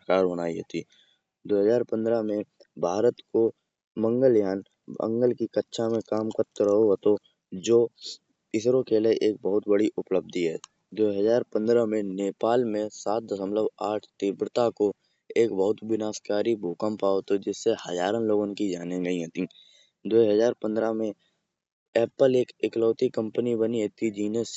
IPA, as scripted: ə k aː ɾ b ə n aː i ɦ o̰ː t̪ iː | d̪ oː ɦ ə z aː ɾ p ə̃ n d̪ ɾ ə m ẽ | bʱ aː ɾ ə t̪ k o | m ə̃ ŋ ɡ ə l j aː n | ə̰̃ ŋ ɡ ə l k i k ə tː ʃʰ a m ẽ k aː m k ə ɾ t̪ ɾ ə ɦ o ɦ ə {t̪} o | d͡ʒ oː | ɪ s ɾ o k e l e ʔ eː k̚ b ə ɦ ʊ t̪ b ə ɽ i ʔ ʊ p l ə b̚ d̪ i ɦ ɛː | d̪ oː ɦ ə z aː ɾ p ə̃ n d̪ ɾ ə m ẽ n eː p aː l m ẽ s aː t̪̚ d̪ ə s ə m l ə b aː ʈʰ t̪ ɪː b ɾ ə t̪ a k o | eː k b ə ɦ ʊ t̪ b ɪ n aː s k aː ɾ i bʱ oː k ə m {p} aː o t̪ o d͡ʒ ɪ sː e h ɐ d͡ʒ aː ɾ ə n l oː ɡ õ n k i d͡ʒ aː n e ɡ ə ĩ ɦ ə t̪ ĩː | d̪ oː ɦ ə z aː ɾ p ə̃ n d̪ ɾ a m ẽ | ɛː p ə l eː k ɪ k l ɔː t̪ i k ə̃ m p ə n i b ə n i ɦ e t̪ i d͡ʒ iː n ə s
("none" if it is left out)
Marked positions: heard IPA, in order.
t̪, p

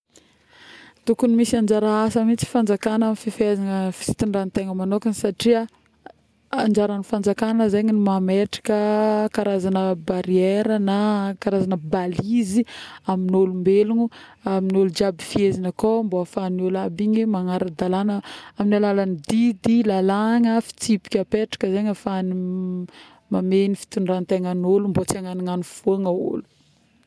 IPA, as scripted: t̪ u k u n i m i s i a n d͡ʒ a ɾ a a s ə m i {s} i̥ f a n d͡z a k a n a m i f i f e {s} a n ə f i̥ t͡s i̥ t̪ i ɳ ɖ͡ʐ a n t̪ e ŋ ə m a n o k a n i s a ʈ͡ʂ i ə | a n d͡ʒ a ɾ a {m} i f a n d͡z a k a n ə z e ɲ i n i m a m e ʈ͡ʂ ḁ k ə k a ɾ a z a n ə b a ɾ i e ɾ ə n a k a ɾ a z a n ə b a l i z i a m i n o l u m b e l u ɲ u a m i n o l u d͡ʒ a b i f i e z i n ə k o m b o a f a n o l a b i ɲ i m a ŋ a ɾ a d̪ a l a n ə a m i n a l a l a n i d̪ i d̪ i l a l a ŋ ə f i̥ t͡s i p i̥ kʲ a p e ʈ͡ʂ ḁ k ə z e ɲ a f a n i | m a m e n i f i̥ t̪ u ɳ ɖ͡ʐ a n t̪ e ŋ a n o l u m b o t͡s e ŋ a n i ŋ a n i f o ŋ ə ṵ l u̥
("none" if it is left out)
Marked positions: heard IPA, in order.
t͡s, z, n

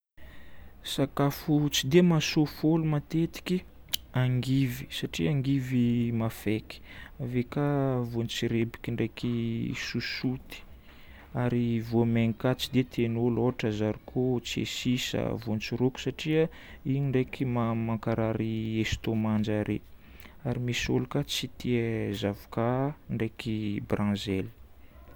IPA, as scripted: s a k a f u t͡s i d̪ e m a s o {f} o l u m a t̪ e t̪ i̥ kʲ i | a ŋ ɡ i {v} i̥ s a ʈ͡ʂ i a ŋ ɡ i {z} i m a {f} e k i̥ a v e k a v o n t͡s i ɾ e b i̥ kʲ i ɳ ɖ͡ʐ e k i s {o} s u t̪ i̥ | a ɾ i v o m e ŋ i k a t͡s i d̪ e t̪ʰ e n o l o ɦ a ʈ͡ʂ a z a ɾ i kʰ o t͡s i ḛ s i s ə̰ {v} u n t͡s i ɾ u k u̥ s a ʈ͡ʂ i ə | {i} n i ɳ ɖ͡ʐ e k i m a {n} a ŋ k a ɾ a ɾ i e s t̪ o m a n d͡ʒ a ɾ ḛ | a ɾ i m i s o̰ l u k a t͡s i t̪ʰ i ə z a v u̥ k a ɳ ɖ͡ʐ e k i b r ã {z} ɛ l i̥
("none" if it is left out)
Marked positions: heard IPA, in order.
f, v, v, f, u, v, i, m, z

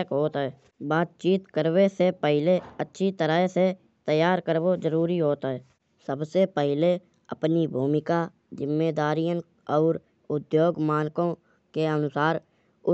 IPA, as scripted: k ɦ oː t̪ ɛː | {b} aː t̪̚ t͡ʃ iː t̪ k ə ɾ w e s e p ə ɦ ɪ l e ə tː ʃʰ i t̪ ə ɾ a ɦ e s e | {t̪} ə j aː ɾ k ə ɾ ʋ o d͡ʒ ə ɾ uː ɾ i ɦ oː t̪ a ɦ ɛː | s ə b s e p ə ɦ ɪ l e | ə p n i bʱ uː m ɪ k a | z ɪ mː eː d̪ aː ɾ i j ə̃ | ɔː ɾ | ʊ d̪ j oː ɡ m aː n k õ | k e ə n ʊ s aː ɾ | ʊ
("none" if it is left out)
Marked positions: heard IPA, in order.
b, t̪

